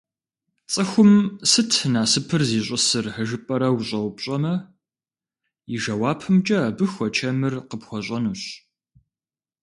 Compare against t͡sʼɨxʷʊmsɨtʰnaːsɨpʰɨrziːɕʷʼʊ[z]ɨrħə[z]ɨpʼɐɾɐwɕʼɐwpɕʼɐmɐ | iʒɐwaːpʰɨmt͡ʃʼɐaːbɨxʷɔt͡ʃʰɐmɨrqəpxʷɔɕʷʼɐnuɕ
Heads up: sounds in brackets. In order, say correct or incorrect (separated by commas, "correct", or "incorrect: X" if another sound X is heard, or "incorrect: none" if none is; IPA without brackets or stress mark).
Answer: incorrect: s, incorrect: ʒ